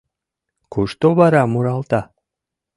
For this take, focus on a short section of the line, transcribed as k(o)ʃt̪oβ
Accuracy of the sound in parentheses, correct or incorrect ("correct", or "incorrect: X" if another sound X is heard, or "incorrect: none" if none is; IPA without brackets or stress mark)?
incorrect: u